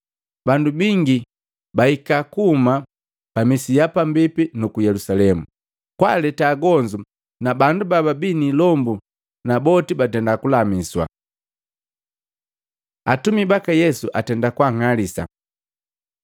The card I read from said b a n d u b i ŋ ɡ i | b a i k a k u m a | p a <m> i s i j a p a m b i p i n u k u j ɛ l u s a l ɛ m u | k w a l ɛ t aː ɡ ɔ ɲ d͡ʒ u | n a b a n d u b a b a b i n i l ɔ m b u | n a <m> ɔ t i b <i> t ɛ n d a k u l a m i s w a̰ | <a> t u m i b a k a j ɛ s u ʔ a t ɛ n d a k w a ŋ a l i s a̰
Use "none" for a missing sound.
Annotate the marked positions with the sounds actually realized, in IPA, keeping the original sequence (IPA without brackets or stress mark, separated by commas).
m, b, a, a